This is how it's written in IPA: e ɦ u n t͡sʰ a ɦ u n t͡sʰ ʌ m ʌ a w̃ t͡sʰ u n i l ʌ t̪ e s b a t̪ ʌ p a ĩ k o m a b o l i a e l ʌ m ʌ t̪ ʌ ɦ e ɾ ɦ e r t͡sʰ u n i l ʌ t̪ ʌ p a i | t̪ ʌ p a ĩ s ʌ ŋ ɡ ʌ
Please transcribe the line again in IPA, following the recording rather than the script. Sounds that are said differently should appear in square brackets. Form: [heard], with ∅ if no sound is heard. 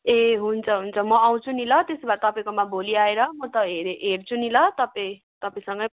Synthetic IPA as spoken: e ɦ u n t͡sʰ [ʌ] ɦ u n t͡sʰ ʌ m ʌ a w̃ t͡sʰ u n i l ʌ t̪ e s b a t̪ ʌ p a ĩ k o m a b o l i a e [ɾ] ʌ m ʌ t̪ ʌ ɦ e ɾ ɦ e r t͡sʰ u n i l ʌ t̪ ʌ p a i | t̪ ʌ p a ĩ s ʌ ŋ ɡ ʌ